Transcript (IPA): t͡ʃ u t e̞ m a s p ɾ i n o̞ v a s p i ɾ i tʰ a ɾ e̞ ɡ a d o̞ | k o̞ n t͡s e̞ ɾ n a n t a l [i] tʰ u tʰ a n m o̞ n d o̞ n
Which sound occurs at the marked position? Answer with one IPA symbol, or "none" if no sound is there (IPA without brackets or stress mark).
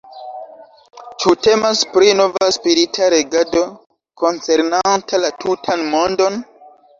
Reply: a